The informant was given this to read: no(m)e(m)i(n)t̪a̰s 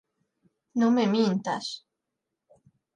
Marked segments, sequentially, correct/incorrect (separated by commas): correct, correct, correct